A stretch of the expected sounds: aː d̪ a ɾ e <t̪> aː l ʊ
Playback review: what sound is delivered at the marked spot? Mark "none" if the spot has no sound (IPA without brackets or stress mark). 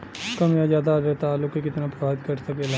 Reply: t̪